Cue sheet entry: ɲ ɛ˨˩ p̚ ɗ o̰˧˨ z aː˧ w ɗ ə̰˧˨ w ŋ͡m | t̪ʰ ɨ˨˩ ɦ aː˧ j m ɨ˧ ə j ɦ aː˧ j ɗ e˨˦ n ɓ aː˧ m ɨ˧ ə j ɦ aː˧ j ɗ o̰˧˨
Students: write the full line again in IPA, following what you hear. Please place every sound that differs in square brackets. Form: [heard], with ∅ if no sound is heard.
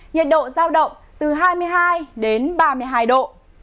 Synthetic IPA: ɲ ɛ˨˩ [t̚] ɗ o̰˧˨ z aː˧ w ɗ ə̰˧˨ w ŋ͡m | [t̪] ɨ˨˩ ɦ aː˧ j m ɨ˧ ə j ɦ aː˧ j ɗ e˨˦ n ɓ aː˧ m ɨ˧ ə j ɦ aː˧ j ɗ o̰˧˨

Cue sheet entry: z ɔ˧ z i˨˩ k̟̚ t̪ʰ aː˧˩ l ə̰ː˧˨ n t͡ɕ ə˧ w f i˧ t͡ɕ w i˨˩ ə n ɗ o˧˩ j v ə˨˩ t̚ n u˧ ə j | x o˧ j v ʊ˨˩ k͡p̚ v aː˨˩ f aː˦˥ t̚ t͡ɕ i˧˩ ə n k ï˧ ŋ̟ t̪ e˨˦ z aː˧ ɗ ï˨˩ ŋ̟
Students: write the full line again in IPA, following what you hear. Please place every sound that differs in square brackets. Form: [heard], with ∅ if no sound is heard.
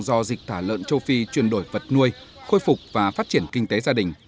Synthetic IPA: z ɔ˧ z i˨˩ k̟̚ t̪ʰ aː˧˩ l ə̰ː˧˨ n t͡ɕ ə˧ w f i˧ t͡ɕ w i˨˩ ə n ɗ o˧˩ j v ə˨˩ t̚ n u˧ ə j | x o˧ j [f] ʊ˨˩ k͡p̚ v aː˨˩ f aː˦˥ t̚ t͡ɕ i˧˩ ə n k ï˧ ŋ̟ t̪ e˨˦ z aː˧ ɗ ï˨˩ ŋ̟

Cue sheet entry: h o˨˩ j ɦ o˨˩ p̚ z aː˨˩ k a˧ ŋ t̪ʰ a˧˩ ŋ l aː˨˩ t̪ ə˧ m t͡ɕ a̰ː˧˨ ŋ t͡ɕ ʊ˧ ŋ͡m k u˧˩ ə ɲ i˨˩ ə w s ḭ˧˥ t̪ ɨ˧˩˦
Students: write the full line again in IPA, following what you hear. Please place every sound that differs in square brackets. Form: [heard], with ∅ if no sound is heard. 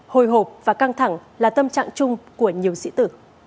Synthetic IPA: h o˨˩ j ɦ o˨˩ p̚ [v] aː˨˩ k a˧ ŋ t̪ʰ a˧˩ ŋ l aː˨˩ t̪ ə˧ m t͡ɕ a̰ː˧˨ ŋ t͡ɕ ʊ˧ ŋ͡m k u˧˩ ə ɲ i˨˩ ə w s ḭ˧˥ t̪ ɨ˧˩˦

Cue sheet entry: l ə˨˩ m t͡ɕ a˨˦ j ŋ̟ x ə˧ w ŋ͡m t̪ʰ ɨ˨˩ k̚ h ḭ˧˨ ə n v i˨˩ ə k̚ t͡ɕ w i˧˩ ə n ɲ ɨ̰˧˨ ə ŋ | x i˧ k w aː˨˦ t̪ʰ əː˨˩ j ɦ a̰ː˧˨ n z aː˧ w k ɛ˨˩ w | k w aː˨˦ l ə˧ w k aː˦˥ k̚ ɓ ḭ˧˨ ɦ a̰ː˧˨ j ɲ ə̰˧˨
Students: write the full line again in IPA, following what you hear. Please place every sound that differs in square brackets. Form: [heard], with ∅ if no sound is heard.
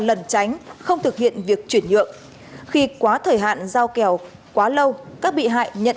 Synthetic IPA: l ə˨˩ [n] t͡ɕ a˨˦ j ŋ̟ x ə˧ w ŋ͡m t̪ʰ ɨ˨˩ k̚ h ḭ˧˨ ə n v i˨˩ ə k̚ t͡ɕ w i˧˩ ə n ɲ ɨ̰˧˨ ə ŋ | x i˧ k w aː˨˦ t̪ʰ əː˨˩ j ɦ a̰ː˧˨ n z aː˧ w k ɛ˨˩ w | k w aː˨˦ l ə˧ w k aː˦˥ k̚ ɓ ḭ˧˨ ɦ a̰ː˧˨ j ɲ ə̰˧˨

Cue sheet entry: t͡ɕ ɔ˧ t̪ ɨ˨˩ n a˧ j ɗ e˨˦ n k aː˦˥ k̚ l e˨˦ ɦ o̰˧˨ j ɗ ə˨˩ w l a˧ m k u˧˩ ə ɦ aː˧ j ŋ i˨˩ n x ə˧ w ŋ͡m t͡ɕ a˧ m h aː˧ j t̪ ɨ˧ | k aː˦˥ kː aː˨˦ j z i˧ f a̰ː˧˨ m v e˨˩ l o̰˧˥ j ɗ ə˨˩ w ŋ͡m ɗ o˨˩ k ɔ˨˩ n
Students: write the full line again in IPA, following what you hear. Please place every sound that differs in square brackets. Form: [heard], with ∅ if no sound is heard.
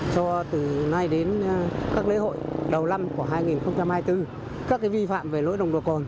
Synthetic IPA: t͡ɕ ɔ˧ t̪ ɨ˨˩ n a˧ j ɗ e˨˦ n k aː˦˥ k̚ l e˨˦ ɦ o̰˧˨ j ɗ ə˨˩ w l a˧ m k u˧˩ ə ɦ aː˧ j ŋ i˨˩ n x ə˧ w ŋ͡m t͡ɕ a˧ m h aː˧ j t̪ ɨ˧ | k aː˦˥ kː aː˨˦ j [v] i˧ f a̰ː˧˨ m v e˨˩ l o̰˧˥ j ɗ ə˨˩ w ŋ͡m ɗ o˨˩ k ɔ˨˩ n

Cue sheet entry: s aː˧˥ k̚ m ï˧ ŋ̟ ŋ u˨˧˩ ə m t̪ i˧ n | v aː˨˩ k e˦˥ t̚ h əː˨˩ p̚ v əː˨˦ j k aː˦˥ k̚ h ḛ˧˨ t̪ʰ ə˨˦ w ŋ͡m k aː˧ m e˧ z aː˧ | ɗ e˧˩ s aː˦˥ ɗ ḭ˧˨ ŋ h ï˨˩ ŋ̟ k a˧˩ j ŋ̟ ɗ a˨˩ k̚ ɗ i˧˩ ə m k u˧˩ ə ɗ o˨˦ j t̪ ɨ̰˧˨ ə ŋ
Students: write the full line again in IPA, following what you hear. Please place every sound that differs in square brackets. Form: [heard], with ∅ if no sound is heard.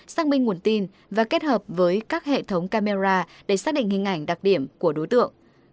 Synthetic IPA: s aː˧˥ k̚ m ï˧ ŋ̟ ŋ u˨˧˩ ə [n] t̪ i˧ n | v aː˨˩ k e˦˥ t̚ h əː˨˩ p̚ v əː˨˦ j k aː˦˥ k̚ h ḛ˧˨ t̪ʰ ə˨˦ w ŋ͡m k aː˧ m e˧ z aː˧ | ɗ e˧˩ s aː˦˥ ɗ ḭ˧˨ ŋ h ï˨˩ ŋ̟ [ʔ] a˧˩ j ŋ̟ ɗ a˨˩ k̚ ɗ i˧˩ ə m k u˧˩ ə ɗ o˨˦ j t̪ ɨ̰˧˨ ə ŋ

